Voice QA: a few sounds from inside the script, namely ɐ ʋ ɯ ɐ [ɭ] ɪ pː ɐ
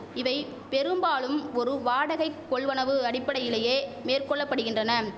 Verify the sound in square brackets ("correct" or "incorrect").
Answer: incorrect